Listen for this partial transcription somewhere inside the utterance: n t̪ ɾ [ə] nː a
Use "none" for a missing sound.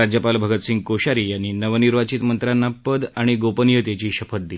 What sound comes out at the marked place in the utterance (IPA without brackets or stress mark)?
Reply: a